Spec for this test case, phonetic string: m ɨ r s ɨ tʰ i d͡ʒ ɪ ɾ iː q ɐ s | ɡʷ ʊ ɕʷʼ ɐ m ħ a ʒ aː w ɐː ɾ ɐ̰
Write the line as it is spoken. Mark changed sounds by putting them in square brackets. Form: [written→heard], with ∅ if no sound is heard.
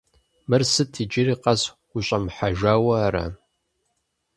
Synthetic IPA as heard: m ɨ r s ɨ tʰ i d͡ʒ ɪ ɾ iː q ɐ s | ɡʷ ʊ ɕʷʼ ɐ m ħ a ʒ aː w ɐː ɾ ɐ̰